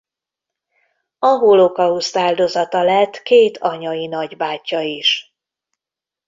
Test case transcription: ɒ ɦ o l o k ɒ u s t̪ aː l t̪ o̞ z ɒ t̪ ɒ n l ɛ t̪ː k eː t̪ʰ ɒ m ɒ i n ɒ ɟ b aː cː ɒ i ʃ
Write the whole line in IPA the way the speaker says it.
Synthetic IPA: ɒ ɦ o l o k ɒ u s t̪ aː l d̪ o̞ z ɒ t̪ ɒ l ɛ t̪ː k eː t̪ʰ ɒ ɲ ɒ i n ɒ ɟ b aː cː ɒ i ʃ